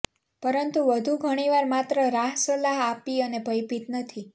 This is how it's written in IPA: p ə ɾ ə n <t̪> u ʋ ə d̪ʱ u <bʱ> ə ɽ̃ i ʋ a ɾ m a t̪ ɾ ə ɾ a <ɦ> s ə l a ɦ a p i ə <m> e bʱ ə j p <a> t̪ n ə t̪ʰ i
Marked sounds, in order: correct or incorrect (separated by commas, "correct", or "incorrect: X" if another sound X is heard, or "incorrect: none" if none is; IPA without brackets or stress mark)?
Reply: correct, incorrect: ɡʱ, correct, incorrect: n, incorrect: i